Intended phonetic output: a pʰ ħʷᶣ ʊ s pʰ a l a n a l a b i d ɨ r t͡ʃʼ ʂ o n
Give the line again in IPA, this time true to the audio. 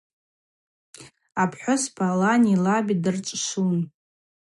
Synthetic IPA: a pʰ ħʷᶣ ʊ s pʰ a l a n i l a b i d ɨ r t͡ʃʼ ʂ u n

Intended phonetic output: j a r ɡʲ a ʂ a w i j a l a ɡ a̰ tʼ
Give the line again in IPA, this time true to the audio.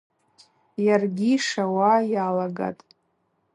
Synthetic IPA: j a r ɡʲ i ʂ a w a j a l a ɡ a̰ tʼ

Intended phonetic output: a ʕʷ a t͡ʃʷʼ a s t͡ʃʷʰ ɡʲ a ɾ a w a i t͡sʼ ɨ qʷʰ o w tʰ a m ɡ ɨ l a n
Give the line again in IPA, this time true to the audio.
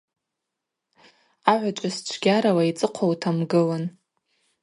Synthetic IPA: a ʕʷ a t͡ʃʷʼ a s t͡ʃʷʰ ɡʲ a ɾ a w a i t͡sʼ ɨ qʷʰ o w tʰ a m ɡ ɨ l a n

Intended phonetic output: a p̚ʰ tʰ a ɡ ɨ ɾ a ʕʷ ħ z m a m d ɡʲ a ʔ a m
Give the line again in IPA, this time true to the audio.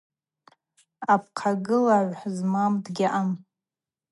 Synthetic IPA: a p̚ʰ qʰ a ɡ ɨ l a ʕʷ ħ z m a m d ɡʲ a ʔ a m

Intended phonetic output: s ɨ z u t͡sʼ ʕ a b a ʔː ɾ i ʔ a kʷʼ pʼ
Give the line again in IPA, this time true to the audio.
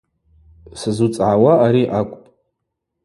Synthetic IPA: s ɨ z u t͡sʼ ʕ a w a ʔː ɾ i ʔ a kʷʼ pʼ

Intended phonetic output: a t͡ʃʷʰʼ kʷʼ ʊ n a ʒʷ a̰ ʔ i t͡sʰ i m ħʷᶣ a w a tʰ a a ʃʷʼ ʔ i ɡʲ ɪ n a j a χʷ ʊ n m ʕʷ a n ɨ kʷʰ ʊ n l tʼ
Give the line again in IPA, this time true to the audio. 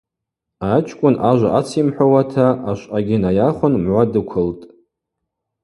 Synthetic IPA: a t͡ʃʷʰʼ kʷʼ ʊ n a ʒʷ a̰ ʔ a t͡sʰ i m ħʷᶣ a w a tʰ a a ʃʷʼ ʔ a ɡʲ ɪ n a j a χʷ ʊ n m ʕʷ a d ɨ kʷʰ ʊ l tʼ

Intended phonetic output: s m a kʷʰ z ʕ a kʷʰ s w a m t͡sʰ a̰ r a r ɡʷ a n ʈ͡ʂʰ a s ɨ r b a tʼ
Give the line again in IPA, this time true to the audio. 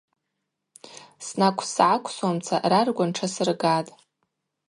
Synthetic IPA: s n a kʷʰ s ʕ a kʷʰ s w a m t͡sʰ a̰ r a r ɡʷ a n ʈ͡ʂʰ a s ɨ r ɡ a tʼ

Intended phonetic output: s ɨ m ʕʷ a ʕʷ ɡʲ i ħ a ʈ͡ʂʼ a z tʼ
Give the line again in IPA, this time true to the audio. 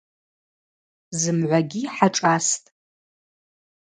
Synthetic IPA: z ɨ m ʕʷ a ɡʲ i ħ a ʈ͡ʂʼ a s tʼ

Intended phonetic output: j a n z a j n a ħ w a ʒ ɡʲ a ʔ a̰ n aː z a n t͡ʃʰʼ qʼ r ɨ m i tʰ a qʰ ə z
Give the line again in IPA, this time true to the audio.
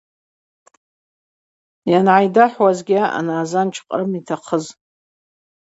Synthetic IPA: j a n ʕ a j d a ħ w a z ɡʲ a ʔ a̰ n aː z a n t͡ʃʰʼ qʼ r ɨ m i tʰ a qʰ ə z

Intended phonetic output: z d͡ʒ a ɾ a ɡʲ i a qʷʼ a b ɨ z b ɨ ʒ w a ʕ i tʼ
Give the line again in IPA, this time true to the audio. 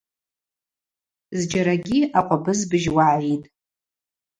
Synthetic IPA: z d͡ʒ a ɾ a ɡʲ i a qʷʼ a b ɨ z b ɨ ʒ w a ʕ i tʼ

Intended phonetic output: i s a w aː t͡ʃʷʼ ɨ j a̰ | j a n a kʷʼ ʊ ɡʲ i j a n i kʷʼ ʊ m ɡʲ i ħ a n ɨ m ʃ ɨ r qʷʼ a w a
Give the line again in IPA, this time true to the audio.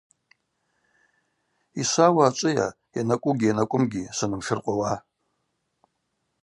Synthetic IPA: i s a w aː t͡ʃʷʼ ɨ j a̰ | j a n a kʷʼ ʊ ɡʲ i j a n a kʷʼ ʊ m ɡʲ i s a n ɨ m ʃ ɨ r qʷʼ a w a

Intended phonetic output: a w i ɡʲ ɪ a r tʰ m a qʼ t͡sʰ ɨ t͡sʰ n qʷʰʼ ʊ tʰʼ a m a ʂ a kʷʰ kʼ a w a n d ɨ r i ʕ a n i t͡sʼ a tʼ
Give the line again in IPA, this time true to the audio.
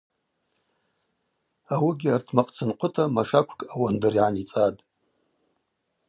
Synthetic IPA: a w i ɡʲ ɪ a r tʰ m a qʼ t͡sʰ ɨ n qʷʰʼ ʊ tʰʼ a m a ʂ a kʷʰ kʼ a w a n d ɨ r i ʕ a n i t͡sʼ a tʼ

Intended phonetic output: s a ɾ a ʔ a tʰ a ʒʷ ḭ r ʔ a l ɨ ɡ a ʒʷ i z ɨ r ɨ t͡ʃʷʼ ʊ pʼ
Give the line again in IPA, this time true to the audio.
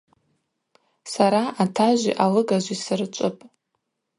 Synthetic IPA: s a ɾ a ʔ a tʰ a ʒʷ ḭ ʔ a l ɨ ɡ a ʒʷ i s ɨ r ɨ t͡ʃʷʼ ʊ pʼ

